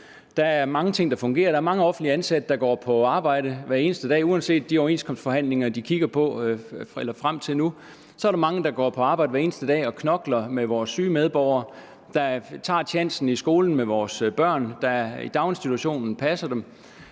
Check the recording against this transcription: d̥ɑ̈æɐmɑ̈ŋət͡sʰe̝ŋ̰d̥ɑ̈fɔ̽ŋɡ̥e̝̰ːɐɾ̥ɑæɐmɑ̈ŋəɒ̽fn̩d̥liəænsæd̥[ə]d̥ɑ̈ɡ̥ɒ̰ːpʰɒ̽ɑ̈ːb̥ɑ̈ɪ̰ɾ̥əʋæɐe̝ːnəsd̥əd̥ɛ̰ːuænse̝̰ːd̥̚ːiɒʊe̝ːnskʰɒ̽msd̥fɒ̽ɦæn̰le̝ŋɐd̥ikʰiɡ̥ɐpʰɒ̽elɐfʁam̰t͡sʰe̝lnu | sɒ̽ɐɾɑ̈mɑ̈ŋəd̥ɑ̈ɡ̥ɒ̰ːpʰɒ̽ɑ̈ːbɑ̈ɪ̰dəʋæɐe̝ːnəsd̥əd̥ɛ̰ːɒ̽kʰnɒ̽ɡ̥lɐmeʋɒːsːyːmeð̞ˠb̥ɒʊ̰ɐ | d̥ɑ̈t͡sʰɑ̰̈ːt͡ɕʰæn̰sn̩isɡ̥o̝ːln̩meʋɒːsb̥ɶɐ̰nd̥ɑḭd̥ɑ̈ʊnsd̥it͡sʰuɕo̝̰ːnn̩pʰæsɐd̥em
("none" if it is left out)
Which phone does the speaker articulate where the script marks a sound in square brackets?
ə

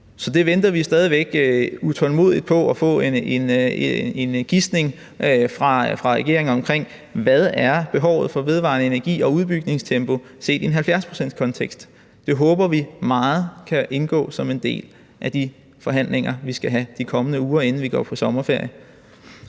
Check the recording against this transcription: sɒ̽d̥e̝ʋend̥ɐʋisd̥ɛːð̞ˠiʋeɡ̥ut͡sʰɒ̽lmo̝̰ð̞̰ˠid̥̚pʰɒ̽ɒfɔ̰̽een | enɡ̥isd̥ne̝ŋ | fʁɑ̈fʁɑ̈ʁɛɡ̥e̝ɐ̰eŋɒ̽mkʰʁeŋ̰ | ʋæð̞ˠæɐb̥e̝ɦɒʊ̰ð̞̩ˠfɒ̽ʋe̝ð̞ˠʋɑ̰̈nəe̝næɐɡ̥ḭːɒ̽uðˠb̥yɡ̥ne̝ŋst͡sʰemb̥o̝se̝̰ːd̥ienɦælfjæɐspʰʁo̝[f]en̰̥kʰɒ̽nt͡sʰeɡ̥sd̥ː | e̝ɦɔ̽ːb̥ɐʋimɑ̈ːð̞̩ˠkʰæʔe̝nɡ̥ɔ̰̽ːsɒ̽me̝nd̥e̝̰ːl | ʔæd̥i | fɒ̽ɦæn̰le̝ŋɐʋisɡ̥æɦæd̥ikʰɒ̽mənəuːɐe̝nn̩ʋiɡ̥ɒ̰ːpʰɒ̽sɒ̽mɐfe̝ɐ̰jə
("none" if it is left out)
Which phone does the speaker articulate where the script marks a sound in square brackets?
s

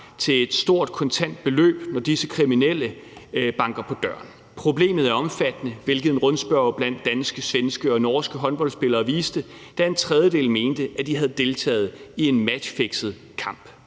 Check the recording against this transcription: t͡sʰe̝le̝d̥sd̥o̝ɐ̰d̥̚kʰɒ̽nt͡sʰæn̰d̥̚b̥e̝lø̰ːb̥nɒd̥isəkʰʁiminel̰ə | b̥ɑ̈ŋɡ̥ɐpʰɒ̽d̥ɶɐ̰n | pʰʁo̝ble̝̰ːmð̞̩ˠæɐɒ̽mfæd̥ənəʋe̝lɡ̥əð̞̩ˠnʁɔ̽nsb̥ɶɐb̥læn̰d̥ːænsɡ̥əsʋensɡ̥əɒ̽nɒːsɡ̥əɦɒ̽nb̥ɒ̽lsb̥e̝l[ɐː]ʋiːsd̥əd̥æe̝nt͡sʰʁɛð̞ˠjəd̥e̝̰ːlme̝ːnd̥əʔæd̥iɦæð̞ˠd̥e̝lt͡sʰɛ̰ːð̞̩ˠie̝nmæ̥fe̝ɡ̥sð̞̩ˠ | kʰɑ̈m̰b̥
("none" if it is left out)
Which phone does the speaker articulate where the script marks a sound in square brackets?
ɐː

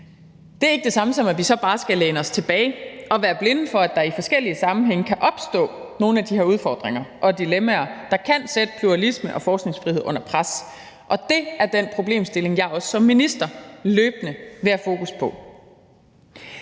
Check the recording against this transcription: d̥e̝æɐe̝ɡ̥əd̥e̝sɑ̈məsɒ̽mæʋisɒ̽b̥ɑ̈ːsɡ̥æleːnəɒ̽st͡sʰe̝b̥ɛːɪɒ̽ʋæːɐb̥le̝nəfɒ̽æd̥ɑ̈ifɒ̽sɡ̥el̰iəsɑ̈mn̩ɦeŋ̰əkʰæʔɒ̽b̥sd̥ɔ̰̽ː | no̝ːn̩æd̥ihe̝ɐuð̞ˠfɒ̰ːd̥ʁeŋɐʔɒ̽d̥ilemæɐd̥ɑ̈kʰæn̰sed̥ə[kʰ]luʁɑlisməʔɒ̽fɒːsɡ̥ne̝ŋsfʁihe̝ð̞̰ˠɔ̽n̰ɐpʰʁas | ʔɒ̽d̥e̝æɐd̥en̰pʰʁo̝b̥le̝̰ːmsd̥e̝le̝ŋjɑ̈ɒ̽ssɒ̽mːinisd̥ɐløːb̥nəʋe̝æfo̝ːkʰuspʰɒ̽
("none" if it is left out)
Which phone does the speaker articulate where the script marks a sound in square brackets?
pʰ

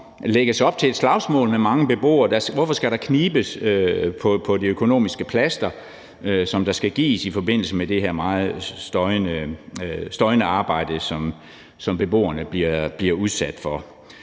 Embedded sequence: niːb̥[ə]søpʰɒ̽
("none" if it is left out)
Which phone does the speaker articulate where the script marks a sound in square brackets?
ə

